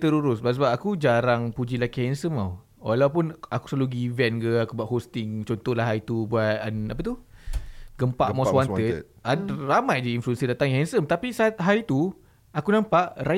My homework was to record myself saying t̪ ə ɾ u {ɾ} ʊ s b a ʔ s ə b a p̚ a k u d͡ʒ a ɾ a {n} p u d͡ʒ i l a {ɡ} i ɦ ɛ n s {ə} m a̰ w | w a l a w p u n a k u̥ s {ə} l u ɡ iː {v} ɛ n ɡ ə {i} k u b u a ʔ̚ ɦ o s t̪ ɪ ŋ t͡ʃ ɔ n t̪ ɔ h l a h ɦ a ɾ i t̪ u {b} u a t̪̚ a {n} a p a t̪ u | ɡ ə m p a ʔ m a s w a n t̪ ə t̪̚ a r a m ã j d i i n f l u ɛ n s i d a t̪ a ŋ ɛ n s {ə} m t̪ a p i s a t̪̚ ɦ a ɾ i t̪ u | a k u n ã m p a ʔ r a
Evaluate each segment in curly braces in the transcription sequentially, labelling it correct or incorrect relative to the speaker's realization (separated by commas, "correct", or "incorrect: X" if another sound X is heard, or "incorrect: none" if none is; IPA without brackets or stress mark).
correct, incorrect: ŋ, incorrect: k, correct, incorrect: a, correct, incorrect: a, correct, correct, correct